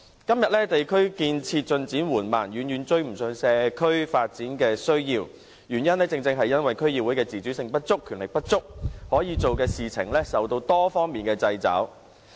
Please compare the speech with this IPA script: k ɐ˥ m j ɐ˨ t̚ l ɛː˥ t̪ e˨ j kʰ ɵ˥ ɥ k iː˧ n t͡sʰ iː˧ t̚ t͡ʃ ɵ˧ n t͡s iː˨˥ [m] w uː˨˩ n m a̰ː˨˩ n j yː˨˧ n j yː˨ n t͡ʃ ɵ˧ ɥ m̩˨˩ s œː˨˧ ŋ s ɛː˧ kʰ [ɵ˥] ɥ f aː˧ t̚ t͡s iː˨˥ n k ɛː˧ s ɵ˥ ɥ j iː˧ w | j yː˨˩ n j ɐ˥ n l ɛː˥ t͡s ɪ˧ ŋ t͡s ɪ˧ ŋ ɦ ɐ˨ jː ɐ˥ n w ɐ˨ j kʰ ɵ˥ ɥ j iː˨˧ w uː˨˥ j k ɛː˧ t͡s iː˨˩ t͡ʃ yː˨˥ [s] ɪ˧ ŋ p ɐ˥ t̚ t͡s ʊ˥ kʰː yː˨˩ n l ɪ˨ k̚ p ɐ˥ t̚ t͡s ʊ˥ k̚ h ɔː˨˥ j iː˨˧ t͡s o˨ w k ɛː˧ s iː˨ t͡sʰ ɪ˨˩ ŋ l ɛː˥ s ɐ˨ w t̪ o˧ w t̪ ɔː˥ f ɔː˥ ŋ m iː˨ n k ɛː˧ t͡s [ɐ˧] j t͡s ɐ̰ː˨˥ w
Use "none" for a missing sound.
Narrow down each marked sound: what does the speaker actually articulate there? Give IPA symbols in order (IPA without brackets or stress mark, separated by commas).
n, ɵ˥, s, ɐ˧